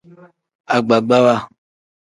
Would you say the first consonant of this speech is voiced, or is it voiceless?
voiced